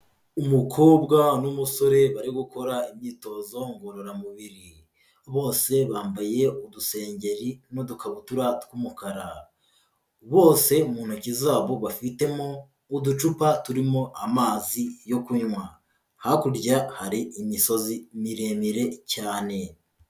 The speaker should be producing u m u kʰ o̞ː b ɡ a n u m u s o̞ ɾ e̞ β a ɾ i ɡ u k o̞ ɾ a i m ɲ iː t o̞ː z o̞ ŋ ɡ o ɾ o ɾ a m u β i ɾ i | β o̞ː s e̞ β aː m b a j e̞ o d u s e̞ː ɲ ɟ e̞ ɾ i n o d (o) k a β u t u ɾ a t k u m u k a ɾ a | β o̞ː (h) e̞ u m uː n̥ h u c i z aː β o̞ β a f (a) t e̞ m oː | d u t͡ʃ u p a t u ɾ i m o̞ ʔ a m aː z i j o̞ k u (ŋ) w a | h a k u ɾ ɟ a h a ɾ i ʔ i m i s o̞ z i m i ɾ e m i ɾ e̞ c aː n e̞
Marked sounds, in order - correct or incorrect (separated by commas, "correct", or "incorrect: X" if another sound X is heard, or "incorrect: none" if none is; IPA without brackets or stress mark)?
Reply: incorrect: u, incorrect: s, incorrect: i, incorrect: ɲ